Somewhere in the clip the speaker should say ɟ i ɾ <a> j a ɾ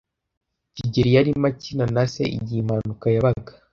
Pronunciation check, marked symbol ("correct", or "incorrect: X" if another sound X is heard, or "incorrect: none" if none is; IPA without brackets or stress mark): incorrect: i